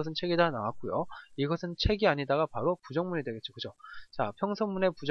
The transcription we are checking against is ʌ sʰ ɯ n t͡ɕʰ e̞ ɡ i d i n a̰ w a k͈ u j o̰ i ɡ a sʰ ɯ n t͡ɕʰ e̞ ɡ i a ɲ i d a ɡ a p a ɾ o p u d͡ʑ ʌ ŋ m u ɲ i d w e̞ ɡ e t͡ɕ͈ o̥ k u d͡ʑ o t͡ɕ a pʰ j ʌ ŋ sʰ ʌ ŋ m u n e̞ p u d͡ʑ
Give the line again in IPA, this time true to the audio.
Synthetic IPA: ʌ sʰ ɯ n t͡ɕʰ e̞ ɡ i d a n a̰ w a k͈ u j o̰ i ɡ ʌ sʰ ɯ n t͡ɕʰ e̞ ɡ i a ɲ i d a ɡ a p a ɾ o p u d͡ʑ ʌ ŋ m u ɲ i d w e̞ ɡ e t͡ɕ͈ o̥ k ɯ d͡ʑ o t͡ɕ a pʰ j ʌ ŋ sʰ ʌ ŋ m u n e̞ p u d͡ʑ

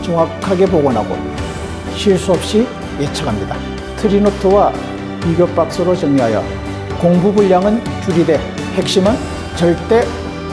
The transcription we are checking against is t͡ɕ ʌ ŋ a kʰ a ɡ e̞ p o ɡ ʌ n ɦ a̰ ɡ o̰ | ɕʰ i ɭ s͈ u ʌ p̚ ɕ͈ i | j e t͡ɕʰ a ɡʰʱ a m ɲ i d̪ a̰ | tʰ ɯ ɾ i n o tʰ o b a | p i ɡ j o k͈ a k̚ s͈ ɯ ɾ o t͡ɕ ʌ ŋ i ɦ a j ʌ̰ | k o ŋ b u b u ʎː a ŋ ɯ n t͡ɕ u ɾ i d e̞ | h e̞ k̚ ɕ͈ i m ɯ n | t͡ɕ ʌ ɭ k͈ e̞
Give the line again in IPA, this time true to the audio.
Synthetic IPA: t͡ɕ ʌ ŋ a kʰ a ɡ e̞ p o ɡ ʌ n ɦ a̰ ɡ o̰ | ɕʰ i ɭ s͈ u ʌ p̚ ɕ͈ i | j e t͡ɕʰ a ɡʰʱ a m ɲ i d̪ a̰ | tʰ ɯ ɾ i n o tʰ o w a | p i ɡ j o p͈ a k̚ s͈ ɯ ɾ o t͡ɕ ʌ ŋ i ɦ a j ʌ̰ | k o ŋ b u b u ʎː a ŋ ɯ n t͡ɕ u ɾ i d e̞ | h e̞ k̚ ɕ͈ i m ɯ n | t͡ɕ ʌ ɭ t͈ e̞

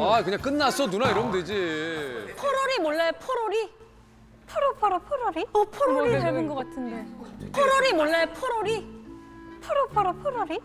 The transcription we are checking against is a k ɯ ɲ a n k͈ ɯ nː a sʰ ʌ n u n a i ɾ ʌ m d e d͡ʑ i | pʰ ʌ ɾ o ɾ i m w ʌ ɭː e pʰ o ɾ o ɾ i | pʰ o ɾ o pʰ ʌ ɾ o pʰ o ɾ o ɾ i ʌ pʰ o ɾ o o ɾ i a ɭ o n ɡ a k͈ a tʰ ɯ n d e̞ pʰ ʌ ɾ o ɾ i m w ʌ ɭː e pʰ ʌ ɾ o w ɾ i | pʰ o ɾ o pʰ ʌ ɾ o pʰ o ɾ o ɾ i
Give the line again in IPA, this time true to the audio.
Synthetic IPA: a k ɯ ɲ a ŋ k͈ ɯ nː a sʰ ʌ n u n a i ɾ ʌ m d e d͡ʑ i | pʰ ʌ ɾ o ɾ i m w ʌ ɭː e pʰ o ɾ o ɾ i | pʰ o ɾ o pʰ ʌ ɾ o pʰ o ɾ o ɾ i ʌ pʰ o ɾ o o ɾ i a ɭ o n ɡ ʌ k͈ a tʰ ɯ n d e̞ pʰ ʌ ɾ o ɾ i m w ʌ ɭː e pʰ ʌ ɾ o ɾ i | pʰ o ɾ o pʰ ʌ ɾ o pʰ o ɾ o ɾ i

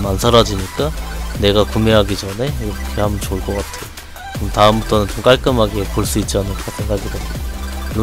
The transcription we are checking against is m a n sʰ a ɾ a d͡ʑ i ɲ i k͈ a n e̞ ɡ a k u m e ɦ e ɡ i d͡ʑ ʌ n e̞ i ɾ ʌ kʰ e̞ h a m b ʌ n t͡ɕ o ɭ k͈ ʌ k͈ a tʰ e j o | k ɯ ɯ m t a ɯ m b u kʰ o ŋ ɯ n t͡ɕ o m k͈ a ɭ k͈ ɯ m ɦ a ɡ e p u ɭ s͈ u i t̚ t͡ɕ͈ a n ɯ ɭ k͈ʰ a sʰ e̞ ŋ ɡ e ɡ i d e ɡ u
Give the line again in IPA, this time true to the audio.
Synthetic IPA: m a n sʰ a ɾ a d͡ʑ i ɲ i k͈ a n e̞ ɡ a k u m e ɦ a ɡ i d͡ʑ ʌ n e̞ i ɾ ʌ kʰ e̞ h a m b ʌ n t͡ɕ o ɭ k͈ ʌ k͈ a tʰ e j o | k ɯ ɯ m t a ɯ m b u tʰ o n ɯ n t͡ɕ o m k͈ a ɭ k͈ ɯ m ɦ a ɡ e p o ɭ s͈ u i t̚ t͡ɕ͈ a n ɯ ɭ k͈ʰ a sʰ e̞ ŋ ɡ a ɡ i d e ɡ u

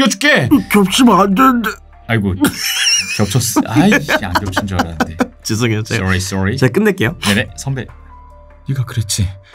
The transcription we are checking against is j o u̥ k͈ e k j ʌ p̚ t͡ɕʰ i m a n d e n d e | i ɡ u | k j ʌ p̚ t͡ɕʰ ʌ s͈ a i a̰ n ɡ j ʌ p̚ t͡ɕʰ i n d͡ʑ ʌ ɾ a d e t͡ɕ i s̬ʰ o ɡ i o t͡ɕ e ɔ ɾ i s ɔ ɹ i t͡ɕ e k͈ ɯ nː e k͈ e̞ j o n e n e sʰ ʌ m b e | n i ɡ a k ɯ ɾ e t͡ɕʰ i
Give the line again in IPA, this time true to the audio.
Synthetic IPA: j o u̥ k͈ e k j ʌ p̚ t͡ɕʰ i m a n d e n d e | a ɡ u | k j ʌ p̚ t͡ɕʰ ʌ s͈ a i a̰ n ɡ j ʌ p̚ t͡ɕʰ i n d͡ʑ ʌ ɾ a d e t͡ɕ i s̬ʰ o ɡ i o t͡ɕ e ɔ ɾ i s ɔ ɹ i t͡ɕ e k͈ ɯ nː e k͈ e̞ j o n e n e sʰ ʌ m b e | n i ɡ a k ɯ ɾ e t͡ɕʰ i

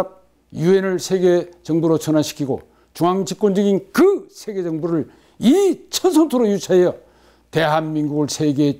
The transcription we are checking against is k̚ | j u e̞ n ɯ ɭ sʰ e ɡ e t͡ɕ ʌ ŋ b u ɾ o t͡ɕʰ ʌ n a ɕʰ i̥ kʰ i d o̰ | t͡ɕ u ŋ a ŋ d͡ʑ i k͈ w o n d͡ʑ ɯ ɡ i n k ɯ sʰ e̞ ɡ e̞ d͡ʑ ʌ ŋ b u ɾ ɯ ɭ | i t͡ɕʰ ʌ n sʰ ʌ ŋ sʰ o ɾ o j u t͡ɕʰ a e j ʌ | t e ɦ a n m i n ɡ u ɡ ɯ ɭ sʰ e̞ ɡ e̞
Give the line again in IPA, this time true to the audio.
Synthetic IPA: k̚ | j u e̞ n ɯ ɭ sʰ e ɡ e t͡ɕ ʌ ŋ b u ɾ o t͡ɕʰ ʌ n a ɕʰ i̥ kʰ i ɡ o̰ | t͡ɕ u ŋ a ŋ d͡ʑ i k͈ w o n d͡ʑ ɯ ɡ i n k ɯ sʰ e̞ ɡ e̞ d͡ʑ ʌ ŋ b u ɾ ɯ ɭ | i t͡ɕʰ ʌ n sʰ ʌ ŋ tʰ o ɾ o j u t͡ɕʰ a e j ʌ | t e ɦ a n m i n ɡ u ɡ ɯ ɭ sʰ e̞ ɡ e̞

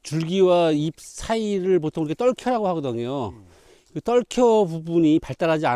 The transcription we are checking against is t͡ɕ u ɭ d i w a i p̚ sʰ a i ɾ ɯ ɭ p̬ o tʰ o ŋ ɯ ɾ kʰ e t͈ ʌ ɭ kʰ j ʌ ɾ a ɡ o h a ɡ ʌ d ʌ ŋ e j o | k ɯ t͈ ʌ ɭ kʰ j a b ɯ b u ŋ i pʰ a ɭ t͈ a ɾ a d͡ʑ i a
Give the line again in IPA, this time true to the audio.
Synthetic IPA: t͡ɕ u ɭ ɡ i w a i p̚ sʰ a i ɾ ɯ ɭ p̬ o tʰ o ŋ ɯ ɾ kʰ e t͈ ʌ ɭ kʰ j ʌ ɾ a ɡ o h a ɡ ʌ d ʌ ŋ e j o | k ɯ t͈ ʌ ɭ kʰ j ʌ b u b u ɲ i p a ɭ t͈ a ɾ a d͡ʑ i a

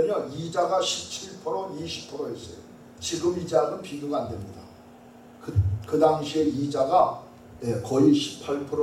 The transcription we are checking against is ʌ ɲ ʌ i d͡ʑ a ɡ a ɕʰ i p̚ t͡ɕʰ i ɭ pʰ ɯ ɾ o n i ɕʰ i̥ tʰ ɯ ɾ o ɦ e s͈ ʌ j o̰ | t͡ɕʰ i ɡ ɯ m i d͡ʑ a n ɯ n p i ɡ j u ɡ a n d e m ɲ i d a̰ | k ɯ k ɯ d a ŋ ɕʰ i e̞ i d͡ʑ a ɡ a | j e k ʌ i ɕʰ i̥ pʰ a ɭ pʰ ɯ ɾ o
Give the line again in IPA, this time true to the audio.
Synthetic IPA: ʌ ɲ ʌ i d͡ʑ a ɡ a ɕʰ i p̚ t͡ɕʰ i ɭ pʰ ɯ ɾ o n i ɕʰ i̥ pʰ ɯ ɾ o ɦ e s͈ ʌ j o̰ | t͡ɕ i ɡ ɯ m i d͡ʑ a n ɯ n p i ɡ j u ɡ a n d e m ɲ i d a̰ | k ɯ k ɯ d a ŋ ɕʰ i e̞ i d͡ʑ a ɡ a | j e k ʌ i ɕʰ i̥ pʰ a ɭ pʰ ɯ ɾ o

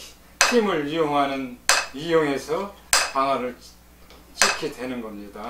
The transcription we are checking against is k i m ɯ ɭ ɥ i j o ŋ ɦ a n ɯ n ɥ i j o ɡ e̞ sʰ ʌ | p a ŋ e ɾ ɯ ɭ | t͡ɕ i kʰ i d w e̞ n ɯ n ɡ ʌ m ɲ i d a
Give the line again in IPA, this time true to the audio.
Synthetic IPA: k i m ɯ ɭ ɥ i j o ŋ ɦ a n ɯ n ɥ i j o ŋ e̞ sʰ ʌ | p a ŋ a ɾ ɯ ɭ | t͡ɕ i kʰ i d w e̞ n ɯ n ɡ ʌ m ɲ i d a

